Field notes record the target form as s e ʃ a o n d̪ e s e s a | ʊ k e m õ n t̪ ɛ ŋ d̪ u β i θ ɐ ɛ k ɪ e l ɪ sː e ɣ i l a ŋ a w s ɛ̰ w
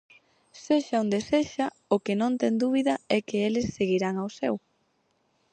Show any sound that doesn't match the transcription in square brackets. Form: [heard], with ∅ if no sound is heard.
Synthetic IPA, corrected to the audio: s e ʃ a o n d̪ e s e [ʃ] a | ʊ k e [n] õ n t̪ ɛ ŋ d̪ u β i [ð] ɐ ɛ k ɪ e l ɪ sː e ɣ i [ɾ] a ŋ a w s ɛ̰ w